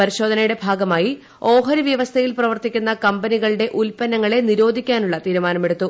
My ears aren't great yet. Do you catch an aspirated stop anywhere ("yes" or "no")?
yes